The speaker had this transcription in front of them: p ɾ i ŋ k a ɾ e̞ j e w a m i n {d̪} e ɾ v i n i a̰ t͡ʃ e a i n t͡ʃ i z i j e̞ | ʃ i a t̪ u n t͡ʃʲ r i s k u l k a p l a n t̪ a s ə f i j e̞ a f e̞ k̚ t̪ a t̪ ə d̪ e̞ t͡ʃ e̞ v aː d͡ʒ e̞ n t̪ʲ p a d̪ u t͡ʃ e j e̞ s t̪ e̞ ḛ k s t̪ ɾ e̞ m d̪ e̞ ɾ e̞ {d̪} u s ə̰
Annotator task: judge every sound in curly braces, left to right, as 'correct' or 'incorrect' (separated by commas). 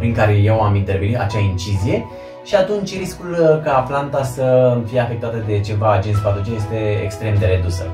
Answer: incorrect, correct